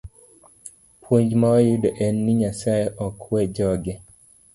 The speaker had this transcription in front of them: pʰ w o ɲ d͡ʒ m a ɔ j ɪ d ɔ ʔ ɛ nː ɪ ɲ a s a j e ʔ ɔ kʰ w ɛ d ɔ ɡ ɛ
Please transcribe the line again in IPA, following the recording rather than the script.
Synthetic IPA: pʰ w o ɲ d͡ʒ m a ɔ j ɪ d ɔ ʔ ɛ nː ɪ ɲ a s a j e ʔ ɔ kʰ w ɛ d͡ʒ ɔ ɡ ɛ